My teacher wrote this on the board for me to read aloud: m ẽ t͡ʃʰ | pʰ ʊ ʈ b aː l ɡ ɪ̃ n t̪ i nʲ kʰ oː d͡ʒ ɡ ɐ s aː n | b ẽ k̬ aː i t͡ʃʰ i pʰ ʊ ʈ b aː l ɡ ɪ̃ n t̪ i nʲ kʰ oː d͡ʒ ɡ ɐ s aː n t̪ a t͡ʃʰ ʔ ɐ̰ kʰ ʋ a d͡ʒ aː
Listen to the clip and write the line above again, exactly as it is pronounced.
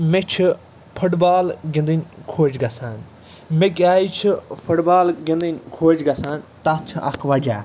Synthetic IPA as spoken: m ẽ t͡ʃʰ | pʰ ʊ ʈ b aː l ɡ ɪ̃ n d̪ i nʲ kʰ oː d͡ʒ ɡ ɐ s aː n | m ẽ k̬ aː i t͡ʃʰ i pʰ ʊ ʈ b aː l ɡ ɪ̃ n d̪ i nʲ kʰ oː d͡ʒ ɡ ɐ s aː n t̪ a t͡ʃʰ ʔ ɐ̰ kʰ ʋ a d͡ʒ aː